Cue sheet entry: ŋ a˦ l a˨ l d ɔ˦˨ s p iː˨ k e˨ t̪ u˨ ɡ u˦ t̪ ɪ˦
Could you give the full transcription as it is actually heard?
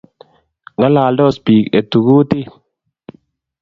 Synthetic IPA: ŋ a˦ l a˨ l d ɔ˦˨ s p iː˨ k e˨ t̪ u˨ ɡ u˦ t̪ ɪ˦